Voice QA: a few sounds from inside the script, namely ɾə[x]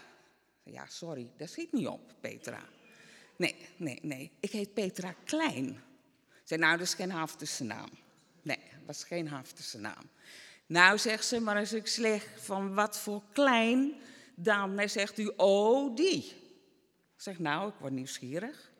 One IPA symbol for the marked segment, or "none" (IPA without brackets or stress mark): x